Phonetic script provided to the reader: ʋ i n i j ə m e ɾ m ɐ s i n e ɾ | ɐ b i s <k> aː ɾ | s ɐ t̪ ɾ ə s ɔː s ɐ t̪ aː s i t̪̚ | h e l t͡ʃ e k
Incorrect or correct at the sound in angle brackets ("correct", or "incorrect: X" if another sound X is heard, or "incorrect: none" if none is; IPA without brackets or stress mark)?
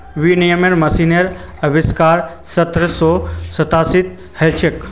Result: correct